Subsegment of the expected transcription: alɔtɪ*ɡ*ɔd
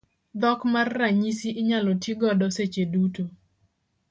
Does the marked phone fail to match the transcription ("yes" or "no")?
no